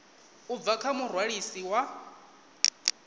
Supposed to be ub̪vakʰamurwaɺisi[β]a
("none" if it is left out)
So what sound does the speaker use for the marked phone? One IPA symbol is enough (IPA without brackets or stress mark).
w